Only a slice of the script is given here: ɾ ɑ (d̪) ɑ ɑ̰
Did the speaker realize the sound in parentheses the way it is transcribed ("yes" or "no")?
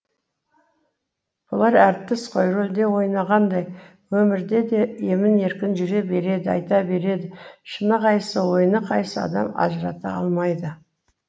no